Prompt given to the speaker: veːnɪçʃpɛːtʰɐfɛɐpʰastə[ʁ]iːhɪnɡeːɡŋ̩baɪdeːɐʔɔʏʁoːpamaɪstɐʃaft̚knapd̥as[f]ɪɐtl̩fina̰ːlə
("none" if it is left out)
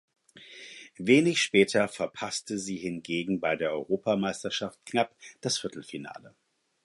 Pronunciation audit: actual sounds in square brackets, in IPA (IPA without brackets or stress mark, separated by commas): z, f